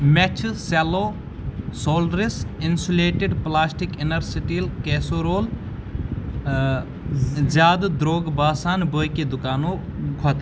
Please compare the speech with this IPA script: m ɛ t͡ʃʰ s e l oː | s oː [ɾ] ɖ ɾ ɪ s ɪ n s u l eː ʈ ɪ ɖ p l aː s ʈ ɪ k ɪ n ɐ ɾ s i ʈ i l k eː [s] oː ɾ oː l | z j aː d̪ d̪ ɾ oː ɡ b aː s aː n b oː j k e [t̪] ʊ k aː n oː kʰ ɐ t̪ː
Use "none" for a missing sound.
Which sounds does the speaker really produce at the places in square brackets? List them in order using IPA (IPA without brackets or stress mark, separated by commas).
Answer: l, s, d̪